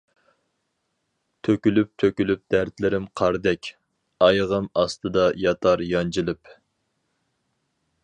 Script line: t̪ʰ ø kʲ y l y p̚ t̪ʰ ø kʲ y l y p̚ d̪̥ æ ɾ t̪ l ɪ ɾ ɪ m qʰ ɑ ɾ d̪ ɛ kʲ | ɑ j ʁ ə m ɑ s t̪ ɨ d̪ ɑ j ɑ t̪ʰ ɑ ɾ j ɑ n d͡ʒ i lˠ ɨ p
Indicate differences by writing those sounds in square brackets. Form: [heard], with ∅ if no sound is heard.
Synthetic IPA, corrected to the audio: t̪ʰ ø kʲ y l y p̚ t̪ʰ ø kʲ y l y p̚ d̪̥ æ ɾ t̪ l ɪ ɾ ɪ m qʰ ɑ ɾ d̪ ɛ kʲ | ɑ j ʁ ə m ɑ s t̪ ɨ d̪ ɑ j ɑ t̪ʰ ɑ ɾ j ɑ n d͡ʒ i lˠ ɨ p

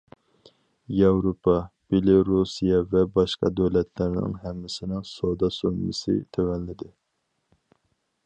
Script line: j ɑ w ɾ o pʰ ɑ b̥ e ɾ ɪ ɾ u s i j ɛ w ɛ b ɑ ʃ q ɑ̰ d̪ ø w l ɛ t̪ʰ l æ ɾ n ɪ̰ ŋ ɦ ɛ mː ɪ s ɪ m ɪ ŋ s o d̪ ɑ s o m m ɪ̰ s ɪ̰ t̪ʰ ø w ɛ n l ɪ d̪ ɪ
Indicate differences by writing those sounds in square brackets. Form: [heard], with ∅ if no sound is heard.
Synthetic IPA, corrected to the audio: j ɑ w ɾ o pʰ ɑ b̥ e [l] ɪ ɾ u s i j ɛ [v] ɛ b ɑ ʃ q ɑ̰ d̪ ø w l ɛ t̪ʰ l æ ɾ n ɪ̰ ŋ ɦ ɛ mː ɪ s ɪ [n] ɪ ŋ s o d̪ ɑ s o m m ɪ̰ s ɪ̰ t̪ʰ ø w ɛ n l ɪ d̪ ɪ

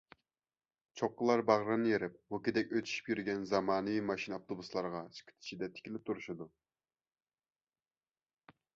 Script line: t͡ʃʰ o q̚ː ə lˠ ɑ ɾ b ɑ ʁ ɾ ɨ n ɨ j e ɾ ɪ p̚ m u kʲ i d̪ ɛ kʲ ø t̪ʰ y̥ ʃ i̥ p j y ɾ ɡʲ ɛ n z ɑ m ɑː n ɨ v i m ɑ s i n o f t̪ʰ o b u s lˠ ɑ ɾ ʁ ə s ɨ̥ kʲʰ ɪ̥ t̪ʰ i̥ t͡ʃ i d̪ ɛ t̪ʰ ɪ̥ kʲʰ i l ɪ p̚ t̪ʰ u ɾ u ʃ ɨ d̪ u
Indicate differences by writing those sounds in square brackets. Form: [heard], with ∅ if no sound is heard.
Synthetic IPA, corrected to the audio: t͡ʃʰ o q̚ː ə lˠ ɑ ɾ b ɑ ʁ ɾ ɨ n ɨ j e ɾ ɪ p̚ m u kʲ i d̪ ɛ kʲ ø t̪ʰ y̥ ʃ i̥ p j y ɾ ɡʲ ɛ n z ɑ m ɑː n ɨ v i m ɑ [ʃ] i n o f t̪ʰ o b u s lˠ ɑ ɾ ʁ [ɑ] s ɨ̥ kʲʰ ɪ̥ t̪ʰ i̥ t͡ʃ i d̪ ɛ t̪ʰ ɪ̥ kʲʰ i l ɪ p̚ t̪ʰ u ɾ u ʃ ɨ d̪ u

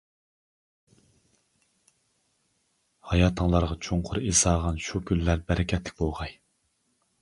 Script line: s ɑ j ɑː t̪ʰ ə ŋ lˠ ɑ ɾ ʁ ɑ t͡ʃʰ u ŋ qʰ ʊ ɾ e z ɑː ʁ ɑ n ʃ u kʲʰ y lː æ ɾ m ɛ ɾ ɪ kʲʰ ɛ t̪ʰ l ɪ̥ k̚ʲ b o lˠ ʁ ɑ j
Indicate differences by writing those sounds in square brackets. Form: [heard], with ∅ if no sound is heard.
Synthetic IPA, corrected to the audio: [h] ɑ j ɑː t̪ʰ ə ŋ lˠ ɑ ɾ ʁ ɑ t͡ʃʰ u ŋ qʰ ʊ ɾ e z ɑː ʁ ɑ n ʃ u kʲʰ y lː æ ɾ [b] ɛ ɾ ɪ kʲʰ ɛ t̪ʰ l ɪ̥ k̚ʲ b o lˠ ʁ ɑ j

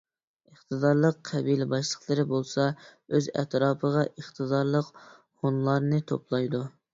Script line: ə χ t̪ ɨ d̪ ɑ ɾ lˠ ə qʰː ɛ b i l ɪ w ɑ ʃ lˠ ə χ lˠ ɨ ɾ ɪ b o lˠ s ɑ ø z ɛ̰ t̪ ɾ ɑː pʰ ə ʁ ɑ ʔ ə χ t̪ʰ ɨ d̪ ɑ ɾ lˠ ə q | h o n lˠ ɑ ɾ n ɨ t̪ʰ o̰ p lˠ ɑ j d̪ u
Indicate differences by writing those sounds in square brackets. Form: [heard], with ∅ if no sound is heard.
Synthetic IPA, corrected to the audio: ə χ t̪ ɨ d̪ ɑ ɾ lˠ ə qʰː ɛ b i l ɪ [b] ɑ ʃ lˠ ə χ lˠ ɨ ɾ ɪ b o lˠ s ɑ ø z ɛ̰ t̪ ɾ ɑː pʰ ə ʁ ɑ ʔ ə χ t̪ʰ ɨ d̪ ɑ ɾ lˠ ə q | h o n lˠ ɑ ɾ n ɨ t̪ʰ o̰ p lˠ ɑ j d̪ u

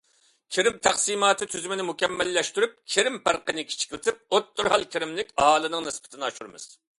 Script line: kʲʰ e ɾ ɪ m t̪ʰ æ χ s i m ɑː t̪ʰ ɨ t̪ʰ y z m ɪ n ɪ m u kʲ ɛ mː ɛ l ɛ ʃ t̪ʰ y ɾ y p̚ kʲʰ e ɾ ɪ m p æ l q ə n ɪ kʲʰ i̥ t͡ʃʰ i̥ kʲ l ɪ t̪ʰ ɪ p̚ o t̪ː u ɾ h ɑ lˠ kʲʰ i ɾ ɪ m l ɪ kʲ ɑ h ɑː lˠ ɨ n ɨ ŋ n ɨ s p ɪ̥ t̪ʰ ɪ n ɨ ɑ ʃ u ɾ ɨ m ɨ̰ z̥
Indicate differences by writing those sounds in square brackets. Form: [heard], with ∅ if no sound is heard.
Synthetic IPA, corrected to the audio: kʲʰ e ɾ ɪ m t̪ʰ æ χ s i m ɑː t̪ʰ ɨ t̪ʰ y z m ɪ n ɪ m u kʲ ɛ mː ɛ [lː] ɛ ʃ [t̪] y ɾ y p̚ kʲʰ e ɾ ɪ m p æ [ɾ] q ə n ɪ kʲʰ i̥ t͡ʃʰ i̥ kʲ l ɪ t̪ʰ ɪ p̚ o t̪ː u ɾ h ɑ lˠ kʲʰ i ɾ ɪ m l ɪ kʲ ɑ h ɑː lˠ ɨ n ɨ ŋ n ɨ s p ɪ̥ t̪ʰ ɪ n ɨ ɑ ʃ u ɾ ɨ m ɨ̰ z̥

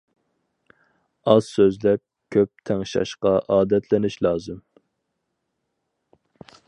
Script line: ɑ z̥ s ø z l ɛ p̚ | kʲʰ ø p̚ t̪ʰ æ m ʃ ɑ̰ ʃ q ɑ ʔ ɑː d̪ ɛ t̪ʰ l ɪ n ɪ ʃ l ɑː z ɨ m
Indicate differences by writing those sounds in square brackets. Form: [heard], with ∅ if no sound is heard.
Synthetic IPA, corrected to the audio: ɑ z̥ s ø z l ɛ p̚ | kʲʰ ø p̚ t̪ʰ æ [ŋ] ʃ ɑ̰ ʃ q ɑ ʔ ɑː d̪ ɛ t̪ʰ l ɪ n ɪ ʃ l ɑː z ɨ m

